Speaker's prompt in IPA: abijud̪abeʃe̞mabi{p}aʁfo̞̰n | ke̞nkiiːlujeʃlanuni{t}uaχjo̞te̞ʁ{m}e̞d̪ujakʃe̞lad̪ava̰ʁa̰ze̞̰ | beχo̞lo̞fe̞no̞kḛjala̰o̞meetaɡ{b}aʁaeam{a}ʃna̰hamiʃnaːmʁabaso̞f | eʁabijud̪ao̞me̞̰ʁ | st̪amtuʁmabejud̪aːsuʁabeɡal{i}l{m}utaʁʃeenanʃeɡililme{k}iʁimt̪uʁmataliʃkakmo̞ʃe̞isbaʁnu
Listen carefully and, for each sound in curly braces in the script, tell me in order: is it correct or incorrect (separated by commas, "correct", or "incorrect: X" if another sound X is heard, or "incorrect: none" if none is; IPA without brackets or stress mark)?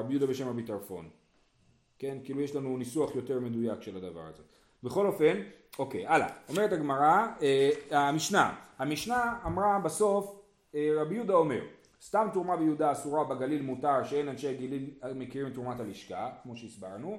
incorrect: t, incorrect: s, correct, incorrect: m, incorrect: i, correct, correct, correct